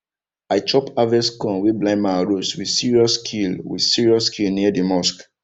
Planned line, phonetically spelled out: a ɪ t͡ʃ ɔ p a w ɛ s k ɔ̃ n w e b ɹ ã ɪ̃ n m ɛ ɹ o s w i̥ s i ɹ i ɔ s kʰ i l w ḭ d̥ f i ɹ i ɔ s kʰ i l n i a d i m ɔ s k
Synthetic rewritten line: a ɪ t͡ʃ ɔ p a v ɛ s k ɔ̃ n w e b l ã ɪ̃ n m a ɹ o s w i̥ s i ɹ i ɔ s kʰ i l w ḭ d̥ s i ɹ i ɔ s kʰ i l n i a d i m ɔ s k